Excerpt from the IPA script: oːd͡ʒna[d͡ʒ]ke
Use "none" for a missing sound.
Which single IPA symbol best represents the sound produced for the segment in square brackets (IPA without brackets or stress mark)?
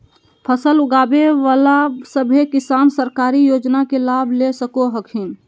none